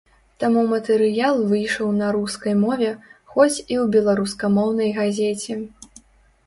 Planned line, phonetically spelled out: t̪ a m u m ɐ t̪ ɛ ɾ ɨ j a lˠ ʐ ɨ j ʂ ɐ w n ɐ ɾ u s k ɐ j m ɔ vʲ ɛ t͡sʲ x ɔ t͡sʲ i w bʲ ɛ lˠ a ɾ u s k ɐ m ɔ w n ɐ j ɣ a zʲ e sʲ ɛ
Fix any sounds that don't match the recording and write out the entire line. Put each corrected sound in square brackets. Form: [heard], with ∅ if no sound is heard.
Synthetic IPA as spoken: t̪ a m u m ɐ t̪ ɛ ɾ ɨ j a lˠ [v] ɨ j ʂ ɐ w n ɐ ɾ u s k ɐ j m ɔ vʲ ɛ [∅] x ɔ t͡sʲ i w bʲ ɛ lˠ a ɾ u s k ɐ m ɔ w n ɐ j ɣ a zʲ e [t͡sʲ] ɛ